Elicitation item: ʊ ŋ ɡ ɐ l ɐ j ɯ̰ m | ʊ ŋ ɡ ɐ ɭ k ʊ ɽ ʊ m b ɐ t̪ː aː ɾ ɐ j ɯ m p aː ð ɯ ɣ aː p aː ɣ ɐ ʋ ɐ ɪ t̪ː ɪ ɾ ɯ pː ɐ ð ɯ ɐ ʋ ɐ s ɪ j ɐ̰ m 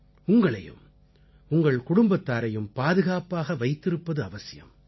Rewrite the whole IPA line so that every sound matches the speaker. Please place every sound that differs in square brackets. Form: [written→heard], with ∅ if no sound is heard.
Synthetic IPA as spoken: ʊ ŋ ɡ ɐ [l→ɭ] ɐ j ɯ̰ m | ʊ ŋ ɡ ɐ ɭ k ʊ ɽ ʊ m b ɐ t̪ː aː ɾ ɐ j ɯ m p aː ð ɯ ɣ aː p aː ɣ ɐ ʋ ɐ ɪ t̪ː ɪ ɾ ɯ pː ɐ ð ɯ ɐ ʋ ɐ s ɪ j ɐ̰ m